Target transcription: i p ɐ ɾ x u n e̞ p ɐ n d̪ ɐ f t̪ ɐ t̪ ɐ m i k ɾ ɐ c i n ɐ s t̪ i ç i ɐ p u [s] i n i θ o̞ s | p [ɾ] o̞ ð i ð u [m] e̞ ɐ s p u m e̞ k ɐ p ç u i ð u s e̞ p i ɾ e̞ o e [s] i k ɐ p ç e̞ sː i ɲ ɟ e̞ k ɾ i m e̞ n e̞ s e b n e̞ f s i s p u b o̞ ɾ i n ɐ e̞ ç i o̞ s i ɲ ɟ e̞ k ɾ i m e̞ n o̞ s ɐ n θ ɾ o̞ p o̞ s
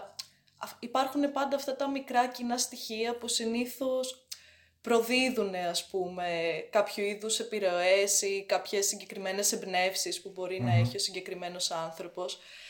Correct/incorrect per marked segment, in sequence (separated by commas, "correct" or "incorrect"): correct, correct, incorrect, correct